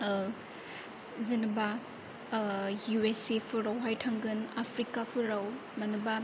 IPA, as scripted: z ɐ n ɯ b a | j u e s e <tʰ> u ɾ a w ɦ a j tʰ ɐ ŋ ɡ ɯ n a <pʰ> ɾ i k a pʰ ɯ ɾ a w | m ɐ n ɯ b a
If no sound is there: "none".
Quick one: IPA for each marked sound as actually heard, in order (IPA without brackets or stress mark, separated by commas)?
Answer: pʰ, pʰ